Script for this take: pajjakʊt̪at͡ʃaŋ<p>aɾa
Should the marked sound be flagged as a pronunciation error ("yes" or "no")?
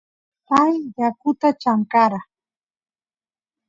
yes